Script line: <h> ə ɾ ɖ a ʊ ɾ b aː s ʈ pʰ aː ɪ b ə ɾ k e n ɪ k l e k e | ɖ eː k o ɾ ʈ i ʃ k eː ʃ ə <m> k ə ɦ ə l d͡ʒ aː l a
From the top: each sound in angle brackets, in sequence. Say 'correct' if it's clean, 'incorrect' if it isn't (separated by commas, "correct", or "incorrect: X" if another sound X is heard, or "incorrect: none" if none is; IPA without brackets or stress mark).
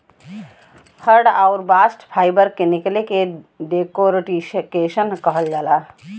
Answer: correct, incorrect: n